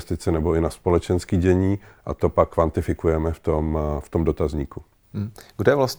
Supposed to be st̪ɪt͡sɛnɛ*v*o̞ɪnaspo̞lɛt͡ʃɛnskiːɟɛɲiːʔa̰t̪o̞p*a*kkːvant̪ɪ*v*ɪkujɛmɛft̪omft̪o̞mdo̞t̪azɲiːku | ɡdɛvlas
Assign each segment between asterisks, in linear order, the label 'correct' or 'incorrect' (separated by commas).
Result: incorrect, correct, incorrect